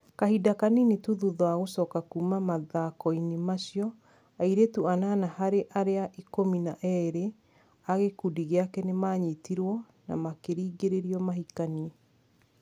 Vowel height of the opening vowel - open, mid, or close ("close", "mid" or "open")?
open